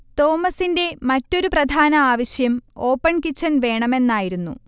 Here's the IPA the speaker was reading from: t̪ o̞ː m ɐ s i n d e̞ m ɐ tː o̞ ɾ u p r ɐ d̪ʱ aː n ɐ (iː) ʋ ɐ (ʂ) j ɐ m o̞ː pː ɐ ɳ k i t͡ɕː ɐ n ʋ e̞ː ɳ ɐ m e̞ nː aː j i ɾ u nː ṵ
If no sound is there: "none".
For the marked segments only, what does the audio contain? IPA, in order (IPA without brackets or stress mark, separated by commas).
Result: aː, ɕ